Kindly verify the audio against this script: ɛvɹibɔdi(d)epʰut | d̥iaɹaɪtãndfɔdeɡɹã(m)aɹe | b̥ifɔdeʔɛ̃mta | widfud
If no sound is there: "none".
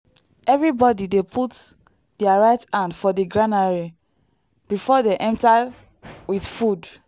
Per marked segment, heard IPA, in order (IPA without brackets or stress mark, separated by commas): d, n